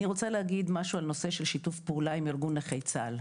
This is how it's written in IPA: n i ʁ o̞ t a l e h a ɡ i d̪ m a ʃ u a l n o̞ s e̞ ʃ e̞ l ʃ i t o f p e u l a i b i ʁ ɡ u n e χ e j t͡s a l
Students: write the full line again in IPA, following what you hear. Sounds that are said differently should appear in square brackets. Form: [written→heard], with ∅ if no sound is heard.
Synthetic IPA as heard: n i ʁ o̞ [t→t͡s] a l e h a ɡ i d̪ m a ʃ u a l n o̞ s e̞ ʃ e̞ l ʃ i t [o→u] f p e u l a i [b→m] i ʁ ɡ u n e χ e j t͡s a l